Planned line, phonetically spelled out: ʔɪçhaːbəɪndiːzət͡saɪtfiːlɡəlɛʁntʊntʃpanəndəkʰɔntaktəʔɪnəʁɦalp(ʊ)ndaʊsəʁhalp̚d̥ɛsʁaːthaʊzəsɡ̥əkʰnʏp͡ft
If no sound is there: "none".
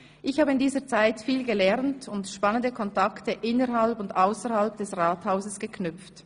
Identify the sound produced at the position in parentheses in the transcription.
ʊ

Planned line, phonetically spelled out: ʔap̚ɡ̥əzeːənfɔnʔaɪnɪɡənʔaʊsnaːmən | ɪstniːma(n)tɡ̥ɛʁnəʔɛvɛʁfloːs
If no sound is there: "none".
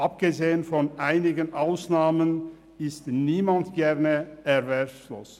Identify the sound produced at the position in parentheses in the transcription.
n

